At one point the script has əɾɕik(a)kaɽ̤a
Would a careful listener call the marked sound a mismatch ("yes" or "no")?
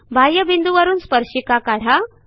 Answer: no